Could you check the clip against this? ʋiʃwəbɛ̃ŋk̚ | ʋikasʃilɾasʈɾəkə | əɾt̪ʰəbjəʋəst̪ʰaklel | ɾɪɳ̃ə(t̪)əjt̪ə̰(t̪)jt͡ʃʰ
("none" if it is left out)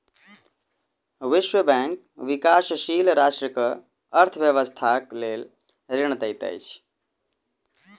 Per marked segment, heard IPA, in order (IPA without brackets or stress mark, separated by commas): t̪, none